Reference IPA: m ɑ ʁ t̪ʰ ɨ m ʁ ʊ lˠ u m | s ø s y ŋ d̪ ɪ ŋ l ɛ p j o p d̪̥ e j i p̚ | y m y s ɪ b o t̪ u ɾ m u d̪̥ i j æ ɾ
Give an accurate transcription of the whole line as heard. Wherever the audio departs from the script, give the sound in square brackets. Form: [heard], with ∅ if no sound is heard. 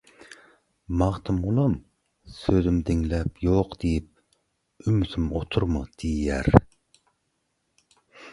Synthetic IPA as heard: m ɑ ʁ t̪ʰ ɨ m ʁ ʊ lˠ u m | s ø [z] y [m] d̪ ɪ ŋ l ɛ p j o [q] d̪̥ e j i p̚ | y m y s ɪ [m] o [t̪ʰ] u ɾ m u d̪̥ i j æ ɾ